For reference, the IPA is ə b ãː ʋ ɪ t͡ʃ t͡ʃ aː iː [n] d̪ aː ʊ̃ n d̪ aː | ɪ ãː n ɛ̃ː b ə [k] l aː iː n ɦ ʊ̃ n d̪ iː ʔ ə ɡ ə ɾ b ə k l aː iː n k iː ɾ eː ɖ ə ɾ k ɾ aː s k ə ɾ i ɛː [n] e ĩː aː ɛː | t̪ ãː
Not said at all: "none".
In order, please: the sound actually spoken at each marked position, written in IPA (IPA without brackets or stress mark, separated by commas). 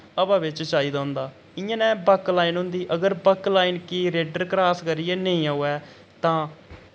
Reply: none, k, n